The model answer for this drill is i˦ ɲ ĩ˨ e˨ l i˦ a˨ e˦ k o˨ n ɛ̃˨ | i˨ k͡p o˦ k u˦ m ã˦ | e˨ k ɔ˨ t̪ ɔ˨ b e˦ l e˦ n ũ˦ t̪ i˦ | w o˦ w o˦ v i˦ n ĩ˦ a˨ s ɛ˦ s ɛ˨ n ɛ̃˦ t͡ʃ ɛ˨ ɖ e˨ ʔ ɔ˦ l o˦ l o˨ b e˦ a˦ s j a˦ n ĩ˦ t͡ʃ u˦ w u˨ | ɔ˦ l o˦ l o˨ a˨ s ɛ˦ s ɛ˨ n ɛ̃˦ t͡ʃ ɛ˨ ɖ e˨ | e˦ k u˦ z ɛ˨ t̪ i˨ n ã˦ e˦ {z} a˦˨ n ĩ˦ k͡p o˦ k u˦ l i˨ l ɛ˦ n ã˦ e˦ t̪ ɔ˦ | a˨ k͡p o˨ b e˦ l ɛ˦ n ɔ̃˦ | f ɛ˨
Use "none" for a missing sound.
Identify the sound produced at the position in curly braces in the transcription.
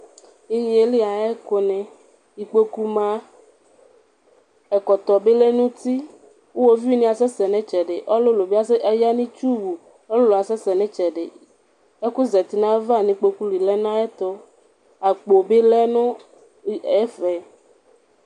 v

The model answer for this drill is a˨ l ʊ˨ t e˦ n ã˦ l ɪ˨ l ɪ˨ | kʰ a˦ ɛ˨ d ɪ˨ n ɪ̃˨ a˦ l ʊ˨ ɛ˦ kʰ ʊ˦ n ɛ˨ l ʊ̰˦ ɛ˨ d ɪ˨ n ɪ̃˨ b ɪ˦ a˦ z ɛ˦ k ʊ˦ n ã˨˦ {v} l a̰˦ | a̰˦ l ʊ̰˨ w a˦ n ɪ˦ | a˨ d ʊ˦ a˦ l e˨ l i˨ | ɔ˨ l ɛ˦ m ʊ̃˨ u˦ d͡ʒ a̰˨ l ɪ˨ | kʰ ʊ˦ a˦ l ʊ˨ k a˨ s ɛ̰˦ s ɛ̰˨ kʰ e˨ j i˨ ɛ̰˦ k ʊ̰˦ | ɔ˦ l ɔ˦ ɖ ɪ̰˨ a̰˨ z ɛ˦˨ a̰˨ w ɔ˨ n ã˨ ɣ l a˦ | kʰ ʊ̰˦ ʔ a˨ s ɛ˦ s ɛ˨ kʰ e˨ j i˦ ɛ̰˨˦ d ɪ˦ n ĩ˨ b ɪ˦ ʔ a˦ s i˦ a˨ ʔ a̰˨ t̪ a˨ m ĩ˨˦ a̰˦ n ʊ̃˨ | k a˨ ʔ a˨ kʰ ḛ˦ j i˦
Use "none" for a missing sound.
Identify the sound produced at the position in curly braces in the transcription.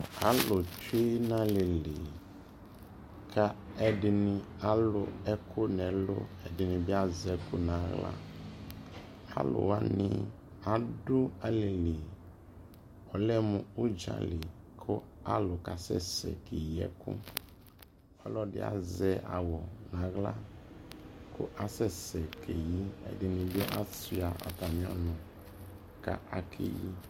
ɣ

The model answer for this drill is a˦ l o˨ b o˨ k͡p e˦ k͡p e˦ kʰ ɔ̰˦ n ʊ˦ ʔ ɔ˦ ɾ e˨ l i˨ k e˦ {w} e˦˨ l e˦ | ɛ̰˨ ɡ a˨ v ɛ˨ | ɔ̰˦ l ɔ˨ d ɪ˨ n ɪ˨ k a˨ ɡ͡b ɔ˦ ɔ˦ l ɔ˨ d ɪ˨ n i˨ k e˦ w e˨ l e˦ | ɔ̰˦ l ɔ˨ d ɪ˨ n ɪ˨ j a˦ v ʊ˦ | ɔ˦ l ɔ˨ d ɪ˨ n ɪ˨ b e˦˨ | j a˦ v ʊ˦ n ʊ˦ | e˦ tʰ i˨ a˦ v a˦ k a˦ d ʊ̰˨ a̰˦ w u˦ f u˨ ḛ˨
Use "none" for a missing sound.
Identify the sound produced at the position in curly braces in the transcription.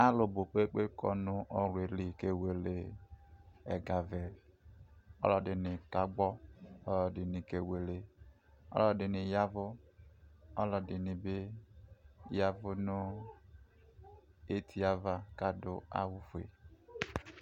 w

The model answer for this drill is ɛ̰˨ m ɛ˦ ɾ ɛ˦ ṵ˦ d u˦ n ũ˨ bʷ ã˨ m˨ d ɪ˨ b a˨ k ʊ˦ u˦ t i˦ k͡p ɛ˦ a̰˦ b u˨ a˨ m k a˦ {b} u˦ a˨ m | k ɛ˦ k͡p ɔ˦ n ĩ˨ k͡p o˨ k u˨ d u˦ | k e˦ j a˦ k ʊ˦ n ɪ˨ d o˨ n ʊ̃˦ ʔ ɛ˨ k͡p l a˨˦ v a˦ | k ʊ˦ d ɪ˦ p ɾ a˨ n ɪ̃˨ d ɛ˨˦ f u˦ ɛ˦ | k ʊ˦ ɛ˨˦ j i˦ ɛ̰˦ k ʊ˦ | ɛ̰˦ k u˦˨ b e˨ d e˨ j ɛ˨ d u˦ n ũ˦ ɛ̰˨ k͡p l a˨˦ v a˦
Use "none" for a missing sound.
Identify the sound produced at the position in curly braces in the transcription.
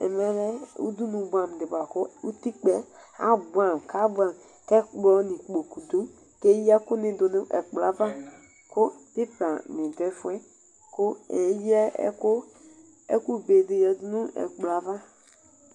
b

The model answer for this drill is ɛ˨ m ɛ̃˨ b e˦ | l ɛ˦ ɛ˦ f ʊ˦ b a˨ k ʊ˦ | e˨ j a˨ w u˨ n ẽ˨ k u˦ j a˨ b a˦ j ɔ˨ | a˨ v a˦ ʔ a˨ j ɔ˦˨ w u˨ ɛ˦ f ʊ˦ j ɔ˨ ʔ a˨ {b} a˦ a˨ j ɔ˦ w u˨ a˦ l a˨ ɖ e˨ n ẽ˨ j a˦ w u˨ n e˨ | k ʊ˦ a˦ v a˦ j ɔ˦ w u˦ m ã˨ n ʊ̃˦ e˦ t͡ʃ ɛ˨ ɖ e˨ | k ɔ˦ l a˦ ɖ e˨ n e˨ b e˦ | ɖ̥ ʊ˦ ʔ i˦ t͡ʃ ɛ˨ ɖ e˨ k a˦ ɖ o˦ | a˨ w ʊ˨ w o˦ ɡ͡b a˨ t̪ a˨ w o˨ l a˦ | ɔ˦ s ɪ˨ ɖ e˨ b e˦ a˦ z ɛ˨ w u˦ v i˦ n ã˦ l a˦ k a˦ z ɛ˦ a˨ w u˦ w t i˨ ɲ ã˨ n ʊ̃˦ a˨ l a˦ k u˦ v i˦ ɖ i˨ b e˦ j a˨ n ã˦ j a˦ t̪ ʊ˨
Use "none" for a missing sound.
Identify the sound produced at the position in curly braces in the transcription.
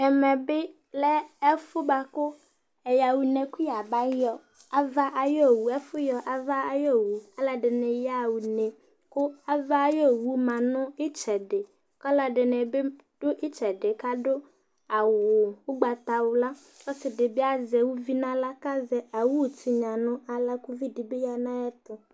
v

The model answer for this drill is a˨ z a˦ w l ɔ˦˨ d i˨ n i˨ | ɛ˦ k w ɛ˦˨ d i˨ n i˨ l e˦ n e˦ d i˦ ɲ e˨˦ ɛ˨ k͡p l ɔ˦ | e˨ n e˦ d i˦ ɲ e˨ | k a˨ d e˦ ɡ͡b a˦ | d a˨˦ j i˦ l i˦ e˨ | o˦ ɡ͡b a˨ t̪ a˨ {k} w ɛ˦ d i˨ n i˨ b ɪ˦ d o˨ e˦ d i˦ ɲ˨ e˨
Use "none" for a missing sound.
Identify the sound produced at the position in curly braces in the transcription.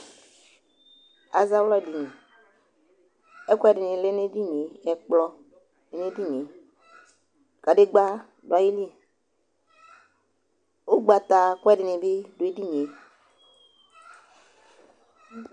k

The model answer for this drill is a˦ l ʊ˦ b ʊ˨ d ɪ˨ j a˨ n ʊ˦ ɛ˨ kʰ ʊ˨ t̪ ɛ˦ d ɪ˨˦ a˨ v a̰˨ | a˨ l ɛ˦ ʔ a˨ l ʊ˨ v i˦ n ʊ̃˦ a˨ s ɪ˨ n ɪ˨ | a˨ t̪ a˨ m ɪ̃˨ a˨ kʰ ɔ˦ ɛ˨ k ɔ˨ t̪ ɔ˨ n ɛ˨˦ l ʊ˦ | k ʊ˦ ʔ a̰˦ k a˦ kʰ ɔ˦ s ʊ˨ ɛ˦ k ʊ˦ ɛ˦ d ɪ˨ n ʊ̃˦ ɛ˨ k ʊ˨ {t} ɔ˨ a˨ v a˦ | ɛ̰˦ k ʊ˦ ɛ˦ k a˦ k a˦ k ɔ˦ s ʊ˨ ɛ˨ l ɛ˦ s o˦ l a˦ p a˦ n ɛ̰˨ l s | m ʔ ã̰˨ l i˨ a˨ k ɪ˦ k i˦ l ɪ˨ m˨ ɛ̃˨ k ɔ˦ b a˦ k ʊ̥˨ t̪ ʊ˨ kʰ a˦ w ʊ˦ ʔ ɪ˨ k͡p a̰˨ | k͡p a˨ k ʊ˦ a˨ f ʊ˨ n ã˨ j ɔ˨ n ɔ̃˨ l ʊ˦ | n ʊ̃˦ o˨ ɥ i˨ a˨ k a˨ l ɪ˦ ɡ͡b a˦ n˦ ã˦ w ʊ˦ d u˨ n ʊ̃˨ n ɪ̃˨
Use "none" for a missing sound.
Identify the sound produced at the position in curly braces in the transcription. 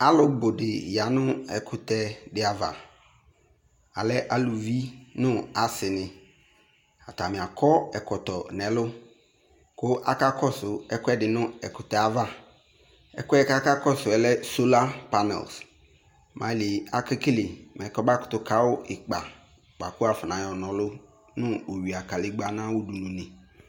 t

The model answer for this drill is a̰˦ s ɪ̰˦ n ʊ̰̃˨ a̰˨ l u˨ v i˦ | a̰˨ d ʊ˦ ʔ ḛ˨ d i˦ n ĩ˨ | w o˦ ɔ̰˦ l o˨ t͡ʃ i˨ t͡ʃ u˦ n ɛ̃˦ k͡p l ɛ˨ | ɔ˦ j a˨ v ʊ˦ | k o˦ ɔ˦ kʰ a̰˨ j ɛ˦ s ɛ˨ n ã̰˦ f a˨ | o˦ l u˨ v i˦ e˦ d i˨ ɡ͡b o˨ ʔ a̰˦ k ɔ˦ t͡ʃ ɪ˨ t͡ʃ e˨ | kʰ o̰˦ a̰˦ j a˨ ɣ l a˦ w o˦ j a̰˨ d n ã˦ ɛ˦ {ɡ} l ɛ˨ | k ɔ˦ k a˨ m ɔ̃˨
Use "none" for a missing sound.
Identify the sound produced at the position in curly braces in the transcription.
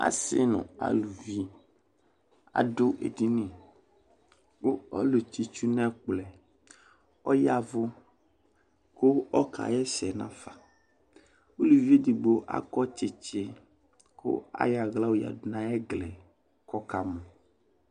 ɡ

